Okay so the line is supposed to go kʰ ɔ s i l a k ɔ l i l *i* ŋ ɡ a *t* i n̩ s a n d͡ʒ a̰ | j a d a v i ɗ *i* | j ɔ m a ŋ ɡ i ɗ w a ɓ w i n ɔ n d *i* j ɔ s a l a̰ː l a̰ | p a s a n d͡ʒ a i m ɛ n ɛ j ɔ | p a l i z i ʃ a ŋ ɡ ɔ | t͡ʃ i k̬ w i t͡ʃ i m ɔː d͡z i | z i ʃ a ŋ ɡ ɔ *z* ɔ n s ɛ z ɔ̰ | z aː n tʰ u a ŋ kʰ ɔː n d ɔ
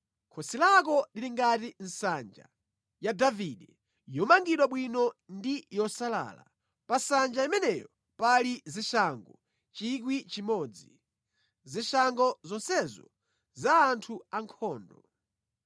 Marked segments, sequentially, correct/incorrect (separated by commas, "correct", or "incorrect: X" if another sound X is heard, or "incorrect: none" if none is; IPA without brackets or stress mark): correct, correct, incorrect: ɛ, correct, correct